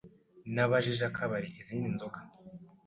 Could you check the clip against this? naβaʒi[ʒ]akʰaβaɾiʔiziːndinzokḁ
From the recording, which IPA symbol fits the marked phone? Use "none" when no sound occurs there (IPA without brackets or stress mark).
ʒ